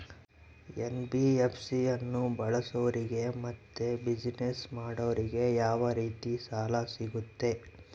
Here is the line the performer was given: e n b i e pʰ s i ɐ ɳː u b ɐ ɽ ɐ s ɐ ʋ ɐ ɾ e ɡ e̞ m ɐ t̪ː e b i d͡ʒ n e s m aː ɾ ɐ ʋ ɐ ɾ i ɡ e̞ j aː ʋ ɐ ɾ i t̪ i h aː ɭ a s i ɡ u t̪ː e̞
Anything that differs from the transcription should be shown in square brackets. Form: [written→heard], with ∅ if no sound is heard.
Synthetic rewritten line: e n b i e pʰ s i ɐ [ɳː→nː] u b ɐ [ɽ→ɭ] ɐ s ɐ ʋ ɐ ɾ [e→i] ɡ e̞ m ɐ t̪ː e b i d͡ʒ n e s m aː [ɾ→ɽ] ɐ ʋ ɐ ɾ i ɡ e̞ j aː ʋ ɐ ɾ [i→iː] t̪ i [h→s] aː [ɭ→l] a s i ɡ u t̪ː e̞